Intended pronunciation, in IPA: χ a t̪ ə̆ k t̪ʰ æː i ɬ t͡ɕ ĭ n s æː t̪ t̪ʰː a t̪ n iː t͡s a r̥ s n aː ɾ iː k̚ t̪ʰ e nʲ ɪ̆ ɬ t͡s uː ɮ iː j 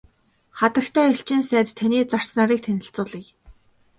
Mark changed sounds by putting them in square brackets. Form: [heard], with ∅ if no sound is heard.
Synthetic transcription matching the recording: χ a t̪ ə̆ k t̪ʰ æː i ɬ t͡ɕ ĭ n s æː t̪ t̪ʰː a [∅] n iː t͡s a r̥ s n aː ɾ iː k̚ t̪ʰ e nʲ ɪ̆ ɬ t͡s [ʊː] ɮ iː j